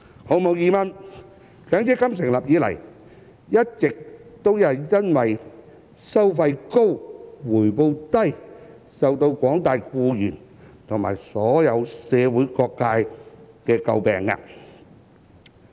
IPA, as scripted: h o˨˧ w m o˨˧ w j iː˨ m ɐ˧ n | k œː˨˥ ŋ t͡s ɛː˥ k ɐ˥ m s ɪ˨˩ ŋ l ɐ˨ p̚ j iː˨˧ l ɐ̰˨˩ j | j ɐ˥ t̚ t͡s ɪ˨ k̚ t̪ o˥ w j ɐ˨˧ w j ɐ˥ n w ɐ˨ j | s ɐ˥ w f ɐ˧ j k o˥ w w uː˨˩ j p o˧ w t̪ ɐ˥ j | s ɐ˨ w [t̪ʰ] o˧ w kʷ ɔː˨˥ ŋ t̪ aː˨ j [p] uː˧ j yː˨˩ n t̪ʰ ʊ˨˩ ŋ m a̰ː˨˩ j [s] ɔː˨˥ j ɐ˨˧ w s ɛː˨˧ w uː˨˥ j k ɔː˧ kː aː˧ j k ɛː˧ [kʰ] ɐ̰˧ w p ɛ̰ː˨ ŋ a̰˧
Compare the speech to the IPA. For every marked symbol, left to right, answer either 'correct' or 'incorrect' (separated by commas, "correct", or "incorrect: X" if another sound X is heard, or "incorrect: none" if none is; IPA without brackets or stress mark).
incorrect: t̪, incorrect: k, correct, incorrect: k